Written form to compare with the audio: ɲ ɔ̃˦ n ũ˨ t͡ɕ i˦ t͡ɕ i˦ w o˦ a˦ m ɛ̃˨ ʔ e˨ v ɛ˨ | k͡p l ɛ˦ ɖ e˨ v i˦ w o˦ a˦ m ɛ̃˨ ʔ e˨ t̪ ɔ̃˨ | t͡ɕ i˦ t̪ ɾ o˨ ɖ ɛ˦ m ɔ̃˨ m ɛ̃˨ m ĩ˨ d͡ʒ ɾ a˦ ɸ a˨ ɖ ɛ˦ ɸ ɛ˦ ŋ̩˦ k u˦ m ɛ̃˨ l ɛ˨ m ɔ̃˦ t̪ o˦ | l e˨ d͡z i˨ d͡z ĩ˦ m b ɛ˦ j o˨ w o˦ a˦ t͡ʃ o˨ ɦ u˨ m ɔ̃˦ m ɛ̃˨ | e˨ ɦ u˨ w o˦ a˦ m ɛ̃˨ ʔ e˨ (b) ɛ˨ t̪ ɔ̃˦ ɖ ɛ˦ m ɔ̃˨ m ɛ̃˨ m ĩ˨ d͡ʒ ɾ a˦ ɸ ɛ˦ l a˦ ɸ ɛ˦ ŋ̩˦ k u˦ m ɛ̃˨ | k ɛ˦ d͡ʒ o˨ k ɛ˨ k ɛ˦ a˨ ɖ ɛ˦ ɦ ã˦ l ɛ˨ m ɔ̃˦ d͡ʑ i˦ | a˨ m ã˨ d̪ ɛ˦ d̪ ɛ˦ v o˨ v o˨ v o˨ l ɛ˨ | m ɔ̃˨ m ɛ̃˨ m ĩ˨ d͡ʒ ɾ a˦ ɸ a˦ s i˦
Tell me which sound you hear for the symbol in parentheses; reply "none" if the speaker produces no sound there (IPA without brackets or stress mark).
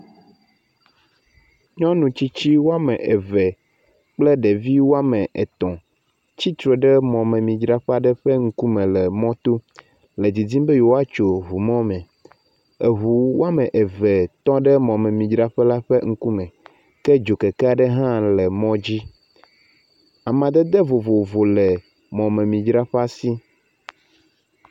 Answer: v